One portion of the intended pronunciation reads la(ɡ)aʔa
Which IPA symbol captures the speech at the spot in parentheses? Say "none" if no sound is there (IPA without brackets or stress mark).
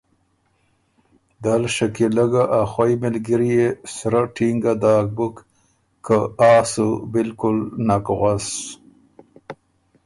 ɡ